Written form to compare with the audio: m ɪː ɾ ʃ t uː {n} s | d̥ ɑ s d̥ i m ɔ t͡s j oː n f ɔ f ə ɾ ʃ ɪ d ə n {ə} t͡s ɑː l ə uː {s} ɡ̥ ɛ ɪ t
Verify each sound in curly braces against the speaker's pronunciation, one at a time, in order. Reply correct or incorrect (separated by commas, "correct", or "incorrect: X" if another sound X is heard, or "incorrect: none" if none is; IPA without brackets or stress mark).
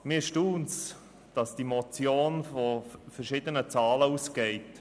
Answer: correct, correct, correct